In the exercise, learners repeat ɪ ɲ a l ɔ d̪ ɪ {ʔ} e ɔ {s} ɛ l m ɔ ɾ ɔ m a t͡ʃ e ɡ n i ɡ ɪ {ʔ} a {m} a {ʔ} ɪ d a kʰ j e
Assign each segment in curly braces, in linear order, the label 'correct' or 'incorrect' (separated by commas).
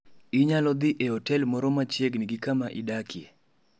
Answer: correct, incorrect, incorrect, correct, correct